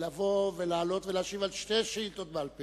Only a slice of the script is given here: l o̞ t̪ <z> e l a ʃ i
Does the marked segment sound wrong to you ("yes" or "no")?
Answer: yes